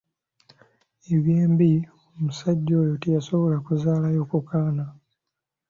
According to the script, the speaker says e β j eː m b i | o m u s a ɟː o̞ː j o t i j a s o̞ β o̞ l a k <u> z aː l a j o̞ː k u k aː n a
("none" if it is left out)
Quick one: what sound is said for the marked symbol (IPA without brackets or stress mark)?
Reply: u